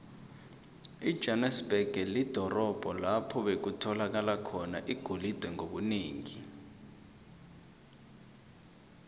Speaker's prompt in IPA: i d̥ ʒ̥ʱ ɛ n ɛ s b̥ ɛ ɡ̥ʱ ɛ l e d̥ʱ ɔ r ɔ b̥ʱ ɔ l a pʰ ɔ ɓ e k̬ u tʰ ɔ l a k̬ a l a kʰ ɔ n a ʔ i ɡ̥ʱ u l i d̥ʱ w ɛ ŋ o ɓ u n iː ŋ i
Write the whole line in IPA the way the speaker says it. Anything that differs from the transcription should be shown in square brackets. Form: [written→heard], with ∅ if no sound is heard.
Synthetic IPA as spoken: i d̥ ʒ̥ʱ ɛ n ɛ s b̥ ɛ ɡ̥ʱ ɛ l [e→i] d̥ʱ ɔ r ɔ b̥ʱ ɔ l a pʰ ɔ ɓ e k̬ u tʰ ɔ l a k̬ a l a kʰ ɔ n a ʔ i ɡ̥ʱ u l i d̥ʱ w ɛ ŋ o ɓ u n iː ŋ i